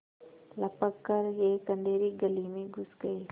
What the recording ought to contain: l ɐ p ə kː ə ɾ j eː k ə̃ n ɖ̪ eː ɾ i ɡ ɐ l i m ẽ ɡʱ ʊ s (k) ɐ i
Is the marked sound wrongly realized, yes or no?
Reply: yes